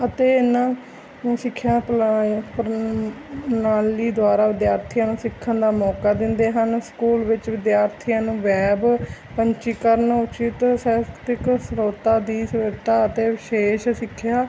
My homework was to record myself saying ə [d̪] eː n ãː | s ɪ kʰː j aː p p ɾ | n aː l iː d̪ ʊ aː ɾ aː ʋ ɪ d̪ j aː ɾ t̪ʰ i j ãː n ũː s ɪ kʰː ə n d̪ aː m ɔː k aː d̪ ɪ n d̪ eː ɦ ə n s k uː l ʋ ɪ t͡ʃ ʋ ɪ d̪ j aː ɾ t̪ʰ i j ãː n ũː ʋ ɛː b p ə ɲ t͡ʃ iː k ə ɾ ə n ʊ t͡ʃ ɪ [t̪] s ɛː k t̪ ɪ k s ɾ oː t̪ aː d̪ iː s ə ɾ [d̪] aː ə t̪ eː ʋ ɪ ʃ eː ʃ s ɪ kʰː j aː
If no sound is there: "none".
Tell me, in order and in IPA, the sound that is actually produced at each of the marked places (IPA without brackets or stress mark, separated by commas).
t̪, t̪, t̪